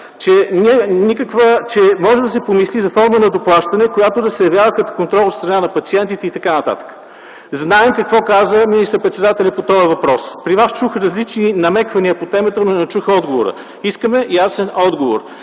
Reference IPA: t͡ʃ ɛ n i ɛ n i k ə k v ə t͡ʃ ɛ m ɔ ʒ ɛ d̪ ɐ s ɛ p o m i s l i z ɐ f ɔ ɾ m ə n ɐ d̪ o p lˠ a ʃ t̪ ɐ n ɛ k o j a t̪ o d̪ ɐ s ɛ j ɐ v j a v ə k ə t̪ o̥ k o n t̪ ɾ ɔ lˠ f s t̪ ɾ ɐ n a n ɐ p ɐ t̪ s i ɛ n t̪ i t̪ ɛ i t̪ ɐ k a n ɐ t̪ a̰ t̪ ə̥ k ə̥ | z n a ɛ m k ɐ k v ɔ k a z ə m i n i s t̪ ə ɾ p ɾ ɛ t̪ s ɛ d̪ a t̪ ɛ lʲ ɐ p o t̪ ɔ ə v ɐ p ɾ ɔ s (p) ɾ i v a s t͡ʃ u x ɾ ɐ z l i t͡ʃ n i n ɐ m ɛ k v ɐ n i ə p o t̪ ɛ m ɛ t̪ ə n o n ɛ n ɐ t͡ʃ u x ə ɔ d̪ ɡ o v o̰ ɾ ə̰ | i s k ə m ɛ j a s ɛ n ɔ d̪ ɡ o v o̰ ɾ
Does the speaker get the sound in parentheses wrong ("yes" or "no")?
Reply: no